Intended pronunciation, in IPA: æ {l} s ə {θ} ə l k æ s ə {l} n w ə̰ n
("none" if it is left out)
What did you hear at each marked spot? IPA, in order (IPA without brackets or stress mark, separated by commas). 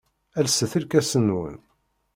l, θ, none